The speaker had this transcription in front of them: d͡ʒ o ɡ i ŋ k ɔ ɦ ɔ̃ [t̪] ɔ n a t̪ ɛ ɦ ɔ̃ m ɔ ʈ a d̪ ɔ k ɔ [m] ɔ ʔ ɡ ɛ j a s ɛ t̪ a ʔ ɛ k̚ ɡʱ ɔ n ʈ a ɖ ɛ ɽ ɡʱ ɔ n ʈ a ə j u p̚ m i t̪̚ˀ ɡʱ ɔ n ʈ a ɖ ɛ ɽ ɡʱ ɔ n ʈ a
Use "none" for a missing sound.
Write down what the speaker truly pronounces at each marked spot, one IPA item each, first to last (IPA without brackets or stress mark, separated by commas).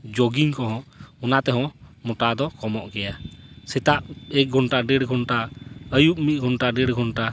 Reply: none, m